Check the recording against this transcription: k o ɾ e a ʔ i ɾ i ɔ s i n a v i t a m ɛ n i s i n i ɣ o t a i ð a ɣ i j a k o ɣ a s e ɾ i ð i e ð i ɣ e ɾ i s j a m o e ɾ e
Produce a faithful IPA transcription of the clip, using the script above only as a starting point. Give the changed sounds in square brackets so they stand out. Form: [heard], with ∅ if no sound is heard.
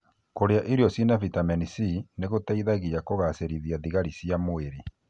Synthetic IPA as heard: k o ɾ e a ʔ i ɾ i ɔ s i n a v i t a m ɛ n i s i n [e] ɣ o t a i ð a ɣ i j a k o ɣ a s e ɾ i ð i [a] ð i ɣ [a] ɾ i s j a m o e ɾ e